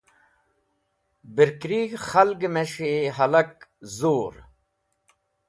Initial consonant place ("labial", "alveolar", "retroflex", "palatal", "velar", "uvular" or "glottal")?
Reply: labial